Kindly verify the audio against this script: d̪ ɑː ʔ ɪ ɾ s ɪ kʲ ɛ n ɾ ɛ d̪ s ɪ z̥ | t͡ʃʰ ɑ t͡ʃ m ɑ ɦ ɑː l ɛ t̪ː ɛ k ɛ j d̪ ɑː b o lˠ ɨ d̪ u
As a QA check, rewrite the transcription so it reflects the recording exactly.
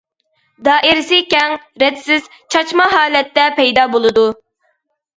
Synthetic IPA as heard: d̪ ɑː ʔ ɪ ɾ s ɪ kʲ ɛ ŋ ɾ ɛ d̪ s ɪ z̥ | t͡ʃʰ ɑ t͡ʃ m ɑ ɦ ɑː l ɛ t̪ː ɛ p ɛ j d̪ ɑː b o lˠ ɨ d̪ u